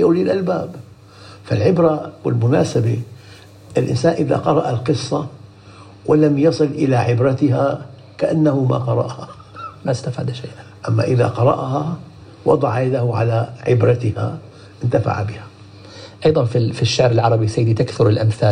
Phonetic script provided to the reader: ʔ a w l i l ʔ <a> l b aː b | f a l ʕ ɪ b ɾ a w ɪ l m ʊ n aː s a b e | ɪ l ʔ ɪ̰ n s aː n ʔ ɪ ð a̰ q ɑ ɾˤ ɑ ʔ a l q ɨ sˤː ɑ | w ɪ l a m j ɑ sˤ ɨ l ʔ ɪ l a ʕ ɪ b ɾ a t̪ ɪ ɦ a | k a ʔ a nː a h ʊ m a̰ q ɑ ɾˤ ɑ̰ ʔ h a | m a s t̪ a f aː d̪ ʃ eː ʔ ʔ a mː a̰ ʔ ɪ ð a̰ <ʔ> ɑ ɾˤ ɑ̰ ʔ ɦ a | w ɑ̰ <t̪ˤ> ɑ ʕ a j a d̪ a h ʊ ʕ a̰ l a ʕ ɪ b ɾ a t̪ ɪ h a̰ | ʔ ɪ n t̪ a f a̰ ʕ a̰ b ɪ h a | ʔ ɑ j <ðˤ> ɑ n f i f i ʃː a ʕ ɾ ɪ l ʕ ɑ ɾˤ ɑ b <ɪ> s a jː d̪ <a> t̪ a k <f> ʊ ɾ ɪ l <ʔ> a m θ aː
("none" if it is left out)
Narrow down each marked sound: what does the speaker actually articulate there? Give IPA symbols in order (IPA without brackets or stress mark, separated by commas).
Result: a, q, d̪ˤ, ðˤ, i, i, θ, ʔ